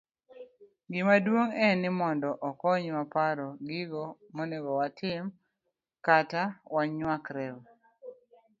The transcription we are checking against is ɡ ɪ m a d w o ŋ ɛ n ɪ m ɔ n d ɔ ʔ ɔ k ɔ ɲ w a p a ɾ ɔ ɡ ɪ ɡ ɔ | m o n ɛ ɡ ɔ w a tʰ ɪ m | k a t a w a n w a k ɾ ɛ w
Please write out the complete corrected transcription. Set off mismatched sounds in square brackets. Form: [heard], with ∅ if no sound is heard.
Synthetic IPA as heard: ɡ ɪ m a d w o ŋ ɛ n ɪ m ɔ n d ɔ ʔ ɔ k ɔ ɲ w a p a ɾ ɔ ɡ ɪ ɡ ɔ | m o n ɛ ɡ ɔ w a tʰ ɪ m | k a t a w a [ɲ] w a k ɾ ɛ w

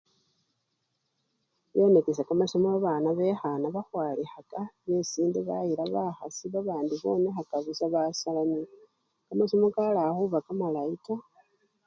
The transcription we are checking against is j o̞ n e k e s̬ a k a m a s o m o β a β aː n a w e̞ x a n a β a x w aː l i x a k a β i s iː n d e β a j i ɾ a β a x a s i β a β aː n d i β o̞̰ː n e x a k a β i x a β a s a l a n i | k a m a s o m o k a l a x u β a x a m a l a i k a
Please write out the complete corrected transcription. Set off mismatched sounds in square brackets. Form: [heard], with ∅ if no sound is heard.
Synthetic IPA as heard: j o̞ n e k e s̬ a k a m a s o m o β a β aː n a [β] e̞ x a n a β a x w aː l i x a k a β [e] s iː n d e β a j i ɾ a β a x a s i β a β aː n d i β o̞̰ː n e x a k a β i [s] a β a s a l a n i | k a m a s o m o k a l a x u β a [k] a m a l a i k a

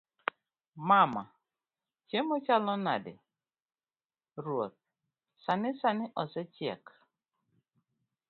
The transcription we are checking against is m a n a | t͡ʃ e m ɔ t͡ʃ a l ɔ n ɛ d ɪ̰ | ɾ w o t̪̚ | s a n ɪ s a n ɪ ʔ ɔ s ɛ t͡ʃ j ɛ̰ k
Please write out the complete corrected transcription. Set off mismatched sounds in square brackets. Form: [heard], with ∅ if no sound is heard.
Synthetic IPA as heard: m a [m] a | t͡ʃ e m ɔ t͡ʃ a l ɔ n [a] d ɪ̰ | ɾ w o t̪̚ | s a n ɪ s a n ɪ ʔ ɔ s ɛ t͡ʃ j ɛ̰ k

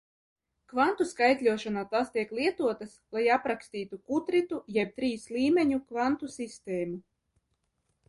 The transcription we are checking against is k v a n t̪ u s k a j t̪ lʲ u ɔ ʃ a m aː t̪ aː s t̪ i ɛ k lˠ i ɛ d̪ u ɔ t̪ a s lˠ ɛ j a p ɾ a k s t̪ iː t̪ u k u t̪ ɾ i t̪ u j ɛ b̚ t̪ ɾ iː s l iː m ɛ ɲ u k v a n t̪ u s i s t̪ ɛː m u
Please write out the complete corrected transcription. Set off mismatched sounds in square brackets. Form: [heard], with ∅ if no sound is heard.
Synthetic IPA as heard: k v a n t̪ u s k a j t̪ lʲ u ɔ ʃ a [n] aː t̪ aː s t̪ i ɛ k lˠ i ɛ [t̪] u ɔ t̪ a s lˠ [a] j a p ɾ a k s t̪ iː t̪ u k u t̪ ɾ i t̪ u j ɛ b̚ t̪ ɾ iː s l iː m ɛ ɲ u k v a n t̪ u s i s t̪ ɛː m u

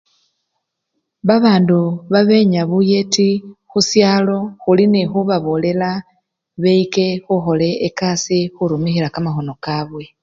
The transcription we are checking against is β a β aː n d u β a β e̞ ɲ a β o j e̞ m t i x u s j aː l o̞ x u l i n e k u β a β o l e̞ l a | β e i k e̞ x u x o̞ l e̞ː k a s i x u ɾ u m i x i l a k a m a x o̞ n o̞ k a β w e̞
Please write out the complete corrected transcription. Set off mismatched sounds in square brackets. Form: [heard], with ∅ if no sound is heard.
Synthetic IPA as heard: β a β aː n d u β a β e̞ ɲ a β [u] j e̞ [∅] t i x u s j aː l o̞ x u l i n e [x] u β a β o l e̞ l a | β e i k e̞ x u x o̞ l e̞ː k a s i x u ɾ u m i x i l a k a m a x o̞ n o̞ k a β w e̞

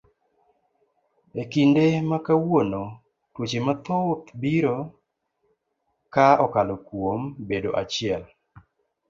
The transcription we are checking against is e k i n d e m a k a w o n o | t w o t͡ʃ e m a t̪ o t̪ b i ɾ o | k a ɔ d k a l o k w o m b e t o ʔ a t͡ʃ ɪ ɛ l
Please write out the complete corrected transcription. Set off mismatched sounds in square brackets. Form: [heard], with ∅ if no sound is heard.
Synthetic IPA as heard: e k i n d e m a k a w o n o | t w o t͡ʃ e m a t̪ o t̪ b i ɾ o | k a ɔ [∅] k a l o k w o m b e [d] o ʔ a t͡ʃ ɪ ɛ l

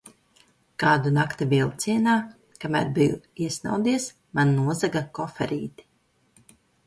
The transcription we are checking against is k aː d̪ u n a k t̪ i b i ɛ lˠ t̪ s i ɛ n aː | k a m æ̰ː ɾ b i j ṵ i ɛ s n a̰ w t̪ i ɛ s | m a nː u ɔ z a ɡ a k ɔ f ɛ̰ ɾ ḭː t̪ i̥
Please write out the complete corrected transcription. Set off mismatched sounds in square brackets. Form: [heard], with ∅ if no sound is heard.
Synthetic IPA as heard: k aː d̪ u n a k t̪ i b i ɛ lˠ t̪ s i ɛ n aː | k a m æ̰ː ɾ b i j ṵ i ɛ s n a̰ w [d̪] i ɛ s | m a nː u ɔ z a ɡ a k ɔ f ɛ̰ ɾ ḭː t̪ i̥

